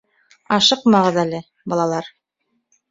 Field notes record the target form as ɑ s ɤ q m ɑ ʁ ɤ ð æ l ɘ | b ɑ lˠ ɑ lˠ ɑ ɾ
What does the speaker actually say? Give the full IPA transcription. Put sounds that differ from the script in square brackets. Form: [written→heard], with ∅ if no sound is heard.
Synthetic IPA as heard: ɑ [s→ʃ] ɤ q m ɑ ʁ ɤ ð æ l ɘ | b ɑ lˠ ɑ lˠ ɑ ɾ